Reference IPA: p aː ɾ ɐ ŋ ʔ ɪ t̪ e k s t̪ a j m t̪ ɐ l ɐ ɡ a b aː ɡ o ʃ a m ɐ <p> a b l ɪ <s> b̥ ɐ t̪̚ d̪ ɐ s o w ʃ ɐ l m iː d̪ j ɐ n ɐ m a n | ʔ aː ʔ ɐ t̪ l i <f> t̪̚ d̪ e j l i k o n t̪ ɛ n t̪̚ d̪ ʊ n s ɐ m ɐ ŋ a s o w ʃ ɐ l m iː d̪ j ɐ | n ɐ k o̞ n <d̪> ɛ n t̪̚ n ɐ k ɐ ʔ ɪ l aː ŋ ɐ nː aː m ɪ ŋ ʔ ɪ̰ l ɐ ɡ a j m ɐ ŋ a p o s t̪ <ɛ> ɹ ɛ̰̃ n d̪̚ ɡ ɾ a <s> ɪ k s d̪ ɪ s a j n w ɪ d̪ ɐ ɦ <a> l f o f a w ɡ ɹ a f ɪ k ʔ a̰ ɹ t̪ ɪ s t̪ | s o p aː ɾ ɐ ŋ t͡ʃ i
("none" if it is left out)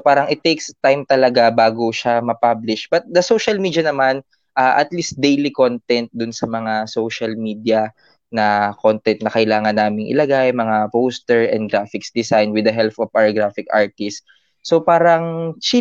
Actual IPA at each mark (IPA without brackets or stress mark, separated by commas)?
p, ʃ, s, t̪, ɛ, f, ɛ